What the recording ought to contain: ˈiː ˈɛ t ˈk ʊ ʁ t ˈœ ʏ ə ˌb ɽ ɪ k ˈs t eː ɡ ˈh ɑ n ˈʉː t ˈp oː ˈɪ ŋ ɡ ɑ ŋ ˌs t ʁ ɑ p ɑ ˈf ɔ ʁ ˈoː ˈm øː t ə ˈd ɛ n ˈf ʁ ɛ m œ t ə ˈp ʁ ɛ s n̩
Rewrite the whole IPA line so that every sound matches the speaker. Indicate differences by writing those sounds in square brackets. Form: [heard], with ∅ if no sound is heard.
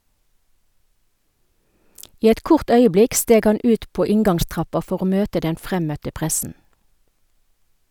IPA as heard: ˈiː ˈɛ t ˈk ʊ ʁ t ˈœ ʏ ə ˌb [l] ɪ k ˈs t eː ɡ ˈh ɑ n ˈʉː t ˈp oː ˈɪ ŋ ɡ ɑ ŋ ˌs t ʁ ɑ p ɑ ˈf ɔ ʁ ˈoː ˈm øː t ə ˈd ɛ n ˈf ʁ ɛ m œ t ə ˈp ʁ ɛ s n̩